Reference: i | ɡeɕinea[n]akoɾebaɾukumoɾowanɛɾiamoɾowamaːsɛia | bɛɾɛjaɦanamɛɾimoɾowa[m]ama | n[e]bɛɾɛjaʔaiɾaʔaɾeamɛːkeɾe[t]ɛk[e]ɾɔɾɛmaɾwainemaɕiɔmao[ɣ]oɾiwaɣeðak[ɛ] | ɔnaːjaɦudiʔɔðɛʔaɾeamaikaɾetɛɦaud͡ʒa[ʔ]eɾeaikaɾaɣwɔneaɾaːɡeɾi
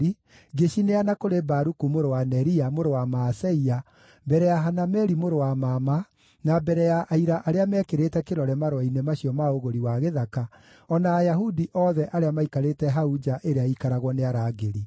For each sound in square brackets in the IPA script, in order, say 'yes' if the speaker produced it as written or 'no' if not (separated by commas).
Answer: yes, yes, no, yes, yes, yes, no, yes